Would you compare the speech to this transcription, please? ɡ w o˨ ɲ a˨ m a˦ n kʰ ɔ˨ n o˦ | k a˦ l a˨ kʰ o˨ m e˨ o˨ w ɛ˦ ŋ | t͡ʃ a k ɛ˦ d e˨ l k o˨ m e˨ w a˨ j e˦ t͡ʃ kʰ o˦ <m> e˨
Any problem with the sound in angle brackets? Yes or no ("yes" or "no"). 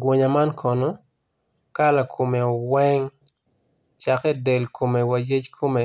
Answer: no